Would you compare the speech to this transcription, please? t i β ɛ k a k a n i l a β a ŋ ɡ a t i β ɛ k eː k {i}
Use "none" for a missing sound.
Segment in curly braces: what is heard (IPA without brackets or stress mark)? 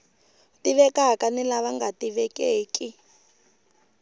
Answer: i